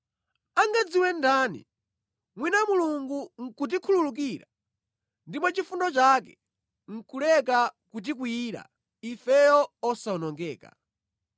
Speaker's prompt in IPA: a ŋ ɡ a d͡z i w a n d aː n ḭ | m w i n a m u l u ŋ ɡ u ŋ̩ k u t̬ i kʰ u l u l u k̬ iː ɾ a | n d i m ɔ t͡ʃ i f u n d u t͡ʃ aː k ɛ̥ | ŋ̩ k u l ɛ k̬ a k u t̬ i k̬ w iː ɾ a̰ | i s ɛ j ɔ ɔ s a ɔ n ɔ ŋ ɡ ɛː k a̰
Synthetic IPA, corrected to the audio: a ŋ ɡ a d͡z i w ɛ n d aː n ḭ | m w i n a m u l u ŋ ɡ u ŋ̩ k u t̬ i kʰ u l u l u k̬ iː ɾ a | n d i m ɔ t͡ʃ i f u n d ɔ t͡ʃ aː k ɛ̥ | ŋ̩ k u l ɛ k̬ a k u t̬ i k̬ w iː ɾ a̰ | i f ɛ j ɔ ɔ s a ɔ n ɔ ŋ ɡ ɛː k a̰